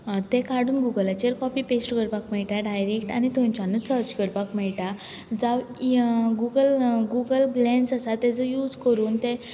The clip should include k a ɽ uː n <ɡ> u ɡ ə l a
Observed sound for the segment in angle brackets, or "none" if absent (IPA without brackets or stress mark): ɡ